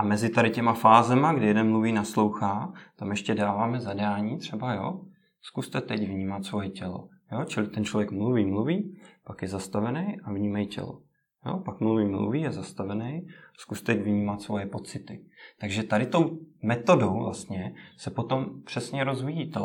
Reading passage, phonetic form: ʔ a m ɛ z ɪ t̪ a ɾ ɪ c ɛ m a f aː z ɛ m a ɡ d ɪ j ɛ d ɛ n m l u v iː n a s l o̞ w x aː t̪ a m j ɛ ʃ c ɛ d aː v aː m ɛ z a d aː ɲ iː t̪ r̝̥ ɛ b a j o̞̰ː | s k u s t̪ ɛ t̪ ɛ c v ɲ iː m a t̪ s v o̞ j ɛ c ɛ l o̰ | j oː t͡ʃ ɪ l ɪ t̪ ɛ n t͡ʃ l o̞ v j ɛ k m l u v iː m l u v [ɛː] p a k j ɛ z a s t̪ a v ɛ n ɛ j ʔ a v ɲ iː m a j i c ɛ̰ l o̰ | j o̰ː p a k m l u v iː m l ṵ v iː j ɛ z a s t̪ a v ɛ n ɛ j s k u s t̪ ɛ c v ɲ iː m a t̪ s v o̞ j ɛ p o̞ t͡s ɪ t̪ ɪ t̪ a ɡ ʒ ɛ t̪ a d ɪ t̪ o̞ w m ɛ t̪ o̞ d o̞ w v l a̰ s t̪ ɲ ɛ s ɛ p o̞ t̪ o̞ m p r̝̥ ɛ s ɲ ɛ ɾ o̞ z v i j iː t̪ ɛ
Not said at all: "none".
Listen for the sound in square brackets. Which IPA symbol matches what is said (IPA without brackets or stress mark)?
iː